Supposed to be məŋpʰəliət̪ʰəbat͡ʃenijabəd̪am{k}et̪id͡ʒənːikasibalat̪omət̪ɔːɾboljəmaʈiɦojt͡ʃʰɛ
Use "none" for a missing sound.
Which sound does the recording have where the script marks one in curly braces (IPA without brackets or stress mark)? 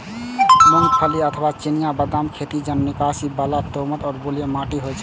kʰ